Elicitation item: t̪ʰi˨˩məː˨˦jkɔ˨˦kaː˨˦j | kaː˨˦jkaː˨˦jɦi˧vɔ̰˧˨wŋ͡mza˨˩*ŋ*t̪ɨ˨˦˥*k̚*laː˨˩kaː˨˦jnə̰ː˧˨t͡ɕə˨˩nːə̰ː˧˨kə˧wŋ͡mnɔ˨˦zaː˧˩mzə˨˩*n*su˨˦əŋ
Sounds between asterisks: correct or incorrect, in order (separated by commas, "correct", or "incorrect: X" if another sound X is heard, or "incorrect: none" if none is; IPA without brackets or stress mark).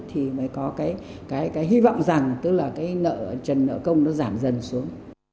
correct, correct, correct